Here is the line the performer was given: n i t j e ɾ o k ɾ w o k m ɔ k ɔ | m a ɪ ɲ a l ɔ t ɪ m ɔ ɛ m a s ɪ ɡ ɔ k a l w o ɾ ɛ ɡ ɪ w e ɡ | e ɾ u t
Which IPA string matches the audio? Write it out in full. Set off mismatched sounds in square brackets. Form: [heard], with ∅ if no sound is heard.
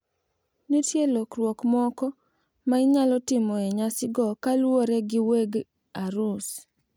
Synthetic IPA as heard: n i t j e [l] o k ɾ w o k m ɔ k ɔ | m a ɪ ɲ a l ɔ t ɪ m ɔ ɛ [ɲ] a s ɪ ɡ ɔ k a l w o ɾ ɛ ɡ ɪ w e ɡ | [a] ɾ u [s]